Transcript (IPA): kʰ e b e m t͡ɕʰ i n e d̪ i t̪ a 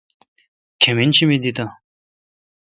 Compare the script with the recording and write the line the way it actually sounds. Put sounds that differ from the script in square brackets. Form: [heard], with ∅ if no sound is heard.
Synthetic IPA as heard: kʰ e [m] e [n] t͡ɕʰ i [m] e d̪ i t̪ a